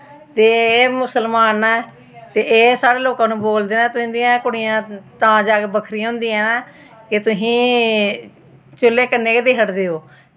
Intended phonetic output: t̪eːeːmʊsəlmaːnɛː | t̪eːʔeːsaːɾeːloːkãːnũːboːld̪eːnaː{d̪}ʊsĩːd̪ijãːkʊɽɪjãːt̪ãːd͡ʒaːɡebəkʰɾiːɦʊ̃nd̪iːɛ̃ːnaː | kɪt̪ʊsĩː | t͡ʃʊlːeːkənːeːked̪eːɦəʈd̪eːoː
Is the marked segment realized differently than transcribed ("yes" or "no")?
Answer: yes